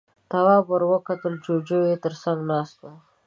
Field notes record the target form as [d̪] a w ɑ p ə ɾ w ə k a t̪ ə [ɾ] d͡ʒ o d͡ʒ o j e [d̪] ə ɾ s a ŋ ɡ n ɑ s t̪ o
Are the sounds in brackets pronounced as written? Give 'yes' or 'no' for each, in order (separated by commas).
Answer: no, no, no